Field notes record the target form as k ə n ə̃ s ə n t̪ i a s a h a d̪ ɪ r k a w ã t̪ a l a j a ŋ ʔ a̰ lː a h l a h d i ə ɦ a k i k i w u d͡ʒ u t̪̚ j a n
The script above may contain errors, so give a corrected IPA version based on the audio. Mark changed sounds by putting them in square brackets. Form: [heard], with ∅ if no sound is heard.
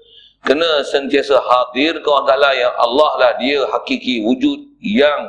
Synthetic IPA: k ə n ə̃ s ə n t̪ i a s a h a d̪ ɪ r k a w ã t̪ a l a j a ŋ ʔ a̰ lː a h l a h d i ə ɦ a k i k i w u d͡ʒ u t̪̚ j a [ŋ]